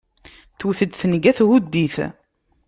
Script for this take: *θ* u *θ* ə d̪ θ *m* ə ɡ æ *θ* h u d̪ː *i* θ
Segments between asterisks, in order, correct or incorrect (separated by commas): correct, correct, incorrect, correct, correct